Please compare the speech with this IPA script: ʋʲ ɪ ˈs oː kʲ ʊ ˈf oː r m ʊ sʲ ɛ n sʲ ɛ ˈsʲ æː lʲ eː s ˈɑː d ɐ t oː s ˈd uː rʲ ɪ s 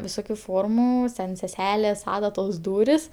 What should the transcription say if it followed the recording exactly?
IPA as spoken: ʋʲ ɪ ˈs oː kʲ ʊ ˈf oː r m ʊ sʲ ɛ n sʲ ɛ ˈsʲ æː lʲ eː s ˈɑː d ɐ t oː s ˈd uː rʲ ɪ s